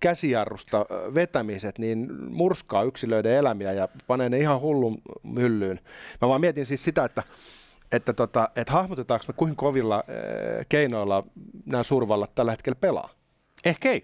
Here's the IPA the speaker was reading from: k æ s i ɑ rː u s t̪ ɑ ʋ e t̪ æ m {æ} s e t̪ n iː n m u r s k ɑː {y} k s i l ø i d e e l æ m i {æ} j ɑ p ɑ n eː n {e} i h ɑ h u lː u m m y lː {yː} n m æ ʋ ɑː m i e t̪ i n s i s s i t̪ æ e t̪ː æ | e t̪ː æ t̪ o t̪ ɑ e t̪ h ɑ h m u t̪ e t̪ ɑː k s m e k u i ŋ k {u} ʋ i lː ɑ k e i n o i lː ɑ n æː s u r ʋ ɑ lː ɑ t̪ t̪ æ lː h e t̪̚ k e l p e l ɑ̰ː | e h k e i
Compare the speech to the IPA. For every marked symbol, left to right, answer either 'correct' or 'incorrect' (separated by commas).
incorrect, correct, correct, correct, correct, incorrect